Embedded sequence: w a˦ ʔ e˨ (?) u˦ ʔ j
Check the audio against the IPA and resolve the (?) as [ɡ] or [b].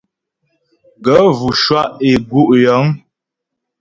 ɡ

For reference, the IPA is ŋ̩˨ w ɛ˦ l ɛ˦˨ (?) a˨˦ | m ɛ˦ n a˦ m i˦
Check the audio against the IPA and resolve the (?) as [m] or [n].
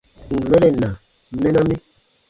n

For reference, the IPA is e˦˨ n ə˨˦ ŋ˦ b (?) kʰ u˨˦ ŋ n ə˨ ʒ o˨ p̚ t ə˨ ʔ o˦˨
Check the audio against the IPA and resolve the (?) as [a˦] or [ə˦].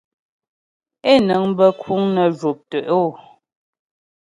ə˦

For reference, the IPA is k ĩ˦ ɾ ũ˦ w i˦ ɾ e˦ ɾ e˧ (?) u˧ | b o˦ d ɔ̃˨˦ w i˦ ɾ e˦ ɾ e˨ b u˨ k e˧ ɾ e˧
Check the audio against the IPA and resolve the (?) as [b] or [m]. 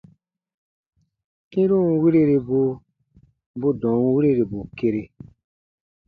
b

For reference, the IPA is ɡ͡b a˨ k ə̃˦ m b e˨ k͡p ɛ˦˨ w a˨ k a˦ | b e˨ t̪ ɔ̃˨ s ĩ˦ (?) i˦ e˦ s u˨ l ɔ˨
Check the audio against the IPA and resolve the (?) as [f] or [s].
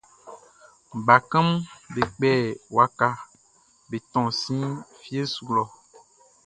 f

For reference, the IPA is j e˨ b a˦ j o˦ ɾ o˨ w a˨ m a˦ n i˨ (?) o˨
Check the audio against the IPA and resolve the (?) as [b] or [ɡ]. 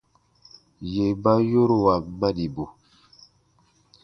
b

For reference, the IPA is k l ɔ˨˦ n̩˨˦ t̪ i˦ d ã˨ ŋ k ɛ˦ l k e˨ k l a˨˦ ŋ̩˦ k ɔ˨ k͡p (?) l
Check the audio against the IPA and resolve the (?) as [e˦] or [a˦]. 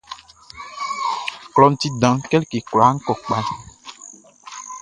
a˦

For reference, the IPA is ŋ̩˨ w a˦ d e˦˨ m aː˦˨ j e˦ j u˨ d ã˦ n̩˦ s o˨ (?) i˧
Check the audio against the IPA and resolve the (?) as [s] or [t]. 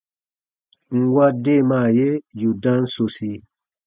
s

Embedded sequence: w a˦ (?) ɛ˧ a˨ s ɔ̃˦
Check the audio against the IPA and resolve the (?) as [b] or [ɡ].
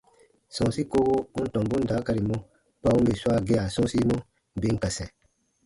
ɡ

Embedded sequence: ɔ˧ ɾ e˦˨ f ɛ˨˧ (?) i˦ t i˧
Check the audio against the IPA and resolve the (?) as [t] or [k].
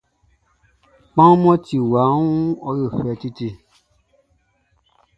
t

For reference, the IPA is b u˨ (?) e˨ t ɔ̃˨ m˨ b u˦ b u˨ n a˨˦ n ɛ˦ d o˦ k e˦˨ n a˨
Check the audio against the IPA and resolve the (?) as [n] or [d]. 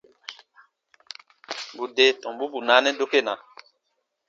d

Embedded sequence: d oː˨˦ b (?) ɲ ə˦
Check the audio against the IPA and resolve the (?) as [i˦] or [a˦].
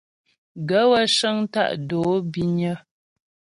i˦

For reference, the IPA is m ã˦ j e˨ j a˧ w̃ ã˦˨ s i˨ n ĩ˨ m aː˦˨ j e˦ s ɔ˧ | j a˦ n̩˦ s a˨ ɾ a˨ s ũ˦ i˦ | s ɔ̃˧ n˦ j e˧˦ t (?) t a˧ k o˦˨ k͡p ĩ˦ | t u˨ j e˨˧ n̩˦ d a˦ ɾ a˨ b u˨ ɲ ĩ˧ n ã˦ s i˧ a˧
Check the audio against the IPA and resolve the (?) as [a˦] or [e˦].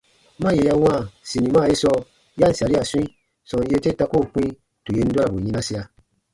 e˦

